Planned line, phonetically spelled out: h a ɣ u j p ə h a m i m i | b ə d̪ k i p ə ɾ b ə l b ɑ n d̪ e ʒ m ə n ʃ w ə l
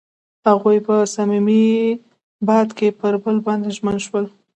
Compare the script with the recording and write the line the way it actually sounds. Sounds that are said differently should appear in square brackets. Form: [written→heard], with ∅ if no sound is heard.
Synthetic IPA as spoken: h a ɣ u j p ə [h→s] a m i m i | b [ə→ɑ] d̪ k [i→e] p ə ɾ b ə l b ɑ n d̪ e ʒ m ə n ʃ w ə l